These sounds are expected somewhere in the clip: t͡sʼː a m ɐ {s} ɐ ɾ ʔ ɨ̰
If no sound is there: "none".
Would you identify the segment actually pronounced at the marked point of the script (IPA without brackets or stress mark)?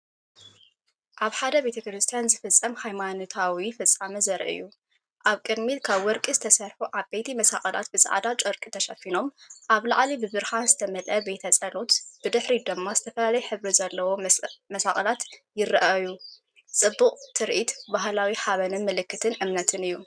z